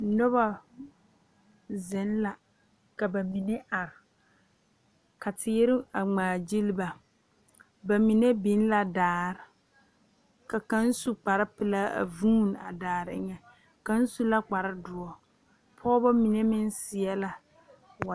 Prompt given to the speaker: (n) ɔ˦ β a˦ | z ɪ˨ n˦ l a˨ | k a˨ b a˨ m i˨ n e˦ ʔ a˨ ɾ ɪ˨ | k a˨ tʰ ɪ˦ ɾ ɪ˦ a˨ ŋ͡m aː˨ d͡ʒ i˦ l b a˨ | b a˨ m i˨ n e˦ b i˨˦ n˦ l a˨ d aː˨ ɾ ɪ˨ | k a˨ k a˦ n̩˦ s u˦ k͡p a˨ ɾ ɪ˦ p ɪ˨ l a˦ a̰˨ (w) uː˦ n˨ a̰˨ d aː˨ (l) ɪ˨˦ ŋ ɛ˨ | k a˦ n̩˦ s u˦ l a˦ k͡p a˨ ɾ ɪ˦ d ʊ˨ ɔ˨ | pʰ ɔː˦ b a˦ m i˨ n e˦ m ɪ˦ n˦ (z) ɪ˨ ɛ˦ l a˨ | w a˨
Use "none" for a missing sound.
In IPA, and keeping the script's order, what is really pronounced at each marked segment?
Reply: n, v, ɾ, s

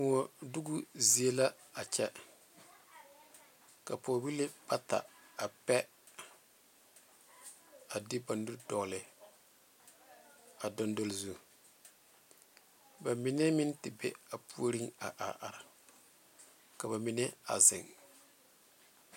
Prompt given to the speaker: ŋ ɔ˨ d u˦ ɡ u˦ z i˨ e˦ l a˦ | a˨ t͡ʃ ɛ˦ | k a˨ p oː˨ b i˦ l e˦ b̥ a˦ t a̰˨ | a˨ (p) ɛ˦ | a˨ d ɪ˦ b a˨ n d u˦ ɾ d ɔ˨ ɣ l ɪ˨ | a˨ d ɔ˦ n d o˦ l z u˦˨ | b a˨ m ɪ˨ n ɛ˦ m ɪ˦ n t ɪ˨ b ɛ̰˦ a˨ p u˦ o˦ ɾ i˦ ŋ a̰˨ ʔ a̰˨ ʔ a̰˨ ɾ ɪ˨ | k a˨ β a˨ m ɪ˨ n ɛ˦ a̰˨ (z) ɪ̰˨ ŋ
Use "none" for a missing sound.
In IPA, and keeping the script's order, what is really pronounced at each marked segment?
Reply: p, z

